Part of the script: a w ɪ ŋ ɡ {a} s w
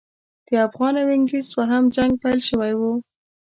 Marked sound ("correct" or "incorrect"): incorrect